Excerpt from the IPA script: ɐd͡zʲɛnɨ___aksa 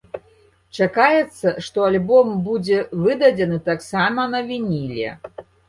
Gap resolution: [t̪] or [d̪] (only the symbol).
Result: t̪